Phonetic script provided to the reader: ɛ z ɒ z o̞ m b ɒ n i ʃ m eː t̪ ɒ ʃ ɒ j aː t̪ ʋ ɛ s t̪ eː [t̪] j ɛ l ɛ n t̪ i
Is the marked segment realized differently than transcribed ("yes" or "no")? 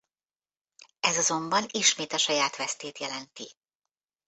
no